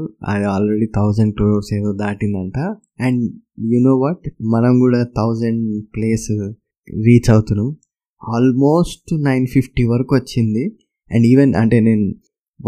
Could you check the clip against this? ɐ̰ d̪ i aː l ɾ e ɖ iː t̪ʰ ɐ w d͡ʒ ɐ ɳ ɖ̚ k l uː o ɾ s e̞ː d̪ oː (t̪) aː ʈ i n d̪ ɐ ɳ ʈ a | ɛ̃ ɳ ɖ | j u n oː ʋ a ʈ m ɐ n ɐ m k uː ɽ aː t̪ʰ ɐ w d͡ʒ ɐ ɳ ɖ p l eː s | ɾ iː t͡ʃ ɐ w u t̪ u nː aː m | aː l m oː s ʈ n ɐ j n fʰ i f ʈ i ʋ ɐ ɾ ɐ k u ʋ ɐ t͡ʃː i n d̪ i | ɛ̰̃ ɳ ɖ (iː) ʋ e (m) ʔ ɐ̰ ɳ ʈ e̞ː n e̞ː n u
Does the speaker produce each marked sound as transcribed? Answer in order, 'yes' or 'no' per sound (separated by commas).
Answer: no, yes, no